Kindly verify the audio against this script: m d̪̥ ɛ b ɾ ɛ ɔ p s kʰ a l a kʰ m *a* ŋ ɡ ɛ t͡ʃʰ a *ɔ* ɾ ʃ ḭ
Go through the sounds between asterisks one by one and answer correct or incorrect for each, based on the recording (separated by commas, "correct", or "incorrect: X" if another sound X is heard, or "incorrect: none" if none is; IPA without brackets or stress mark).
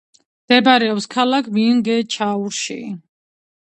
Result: incorrect: i, incorrect: u